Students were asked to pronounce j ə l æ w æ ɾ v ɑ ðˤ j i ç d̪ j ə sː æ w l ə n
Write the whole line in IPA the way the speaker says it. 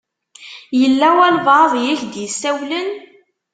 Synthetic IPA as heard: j ə lː æ w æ l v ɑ ðˤ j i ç d̪ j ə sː æ w l ə n